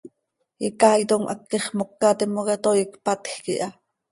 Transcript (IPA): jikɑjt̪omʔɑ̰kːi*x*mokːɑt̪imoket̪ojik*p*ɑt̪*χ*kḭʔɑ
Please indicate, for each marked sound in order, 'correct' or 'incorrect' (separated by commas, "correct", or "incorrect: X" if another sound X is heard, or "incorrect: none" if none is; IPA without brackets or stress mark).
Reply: incorrect: χ, correct, incorrect: x